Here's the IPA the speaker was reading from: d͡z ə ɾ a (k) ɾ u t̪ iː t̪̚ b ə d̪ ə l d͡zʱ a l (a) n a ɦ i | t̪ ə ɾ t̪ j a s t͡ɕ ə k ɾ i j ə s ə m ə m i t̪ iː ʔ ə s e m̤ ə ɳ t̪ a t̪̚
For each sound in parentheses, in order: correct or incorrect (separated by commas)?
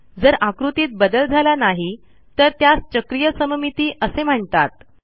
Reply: correct, correct